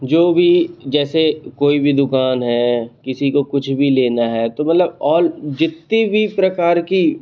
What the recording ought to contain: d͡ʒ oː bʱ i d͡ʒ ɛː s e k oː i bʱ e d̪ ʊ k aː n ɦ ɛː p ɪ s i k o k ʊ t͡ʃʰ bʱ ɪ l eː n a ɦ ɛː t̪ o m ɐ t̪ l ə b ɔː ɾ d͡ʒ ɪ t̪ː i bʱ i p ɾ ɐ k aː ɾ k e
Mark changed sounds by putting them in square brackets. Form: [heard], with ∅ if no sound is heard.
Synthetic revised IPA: d͡ʒ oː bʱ i d͡ʒ ɛː s e k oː i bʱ [i] d̪ ʊ k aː n ɦ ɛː [k] ɪ s i k o k ʊ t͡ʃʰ bʱ [i] l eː n a ɦ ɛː t̪ o m ɐ t̪ l ə b ɔː ɾ d͡ʒ ɪ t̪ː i bʱ i p ɾ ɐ k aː ɾ k [i]